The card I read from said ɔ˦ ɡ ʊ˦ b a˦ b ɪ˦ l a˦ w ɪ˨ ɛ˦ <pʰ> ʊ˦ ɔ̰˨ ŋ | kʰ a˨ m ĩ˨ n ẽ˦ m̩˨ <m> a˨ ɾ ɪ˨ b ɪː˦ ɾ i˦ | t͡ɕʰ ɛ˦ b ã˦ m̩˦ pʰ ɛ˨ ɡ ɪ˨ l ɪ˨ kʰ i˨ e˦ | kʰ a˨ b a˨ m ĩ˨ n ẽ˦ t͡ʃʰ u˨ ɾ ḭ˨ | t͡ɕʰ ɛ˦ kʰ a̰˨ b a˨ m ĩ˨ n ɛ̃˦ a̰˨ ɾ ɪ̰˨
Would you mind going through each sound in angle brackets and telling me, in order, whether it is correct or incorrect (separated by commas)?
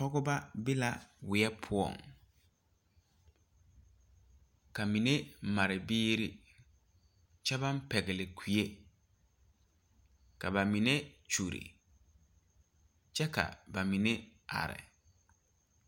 correct, correct